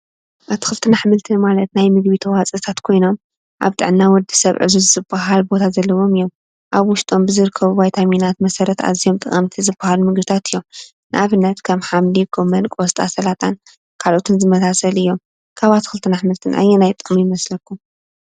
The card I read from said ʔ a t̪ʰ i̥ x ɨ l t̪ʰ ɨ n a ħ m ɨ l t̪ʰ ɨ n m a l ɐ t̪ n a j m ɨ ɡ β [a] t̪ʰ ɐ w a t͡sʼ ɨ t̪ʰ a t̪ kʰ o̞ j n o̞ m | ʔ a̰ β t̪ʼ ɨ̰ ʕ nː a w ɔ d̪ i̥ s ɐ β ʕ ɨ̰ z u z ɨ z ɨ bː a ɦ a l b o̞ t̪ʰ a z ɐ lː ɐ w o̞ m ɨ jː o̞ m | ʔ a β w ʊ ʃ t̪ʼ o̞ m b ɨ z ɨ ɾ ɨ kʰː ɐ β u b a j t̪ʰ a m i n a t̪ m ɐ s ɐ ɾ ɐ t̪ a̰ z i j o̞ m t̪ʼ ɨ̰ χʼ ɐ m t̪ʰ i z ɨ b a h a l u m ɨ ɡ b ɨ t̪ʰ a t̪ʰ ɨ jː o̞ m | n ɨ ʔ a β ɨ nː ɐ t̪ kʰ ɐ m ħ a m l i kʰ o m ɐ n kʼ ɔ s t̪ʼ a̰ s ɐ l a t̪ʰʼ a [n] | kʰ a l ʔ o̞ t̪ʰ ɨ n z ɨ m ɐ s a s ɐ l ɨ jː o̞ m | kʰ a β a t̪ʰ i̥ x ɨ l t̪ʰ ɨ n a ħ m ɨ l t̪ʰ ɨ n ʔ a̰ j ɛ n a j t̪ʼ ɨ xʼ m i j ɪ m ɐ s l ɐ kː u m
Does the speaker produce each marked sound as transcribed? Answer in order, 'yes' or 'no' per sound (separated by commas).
no, yes